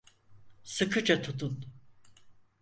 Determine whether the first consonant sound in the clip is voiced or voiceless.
voiceless